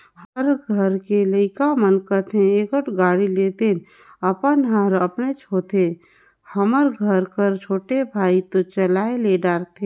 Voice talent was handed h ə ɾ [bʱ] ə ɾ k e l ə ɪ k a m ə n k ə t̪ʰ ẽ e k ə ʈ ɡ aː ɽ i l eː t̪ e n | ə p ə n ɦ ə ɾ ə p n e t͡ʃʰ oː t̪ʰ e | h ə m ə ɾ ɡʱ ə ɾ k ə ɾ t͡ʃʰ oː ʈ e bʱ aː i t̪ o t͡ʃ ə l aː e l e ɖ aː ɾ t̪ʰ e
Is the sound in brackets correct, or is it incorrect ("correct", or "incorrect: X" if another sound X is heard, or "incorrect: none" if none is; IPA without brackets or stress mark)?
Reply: incorrect: ɡʱ